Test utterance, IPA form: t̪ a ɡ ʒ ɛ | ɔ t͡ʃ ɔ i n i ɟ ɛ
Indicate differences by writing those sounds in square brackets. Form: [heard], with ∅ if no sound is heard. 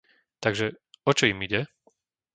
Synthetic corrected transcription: t̪ a ɡ ʒ ɛ | ɔ t͡ʃ ɔ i [m] i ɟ ɛ